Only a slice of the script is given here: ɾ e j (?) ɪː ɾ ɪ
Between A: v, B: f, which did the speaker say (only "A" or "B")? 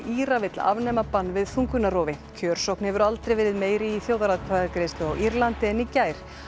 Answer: A